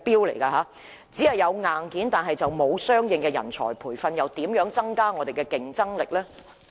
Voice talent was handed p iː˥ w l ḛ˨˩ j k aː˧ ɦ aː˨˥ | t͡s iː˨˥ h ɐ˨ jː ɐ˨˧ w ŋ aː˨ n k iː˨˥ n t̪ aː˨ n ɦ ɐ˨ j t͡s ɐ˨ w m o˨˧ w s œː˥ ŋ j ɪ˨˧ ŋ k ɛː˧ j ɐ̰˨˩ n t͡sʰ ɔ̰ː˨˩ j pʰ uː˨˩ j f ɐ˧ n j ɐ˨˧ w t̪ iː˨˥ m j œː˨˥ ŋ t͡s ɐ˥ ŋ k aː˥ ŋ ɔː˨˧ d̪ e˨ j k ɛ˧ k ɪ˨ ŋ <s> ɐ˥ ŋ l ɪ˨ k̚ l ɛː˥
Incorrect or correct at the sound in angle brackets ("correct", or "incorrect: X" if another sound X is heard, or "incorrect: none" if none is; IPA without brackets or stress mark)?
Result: incorrect: t͡s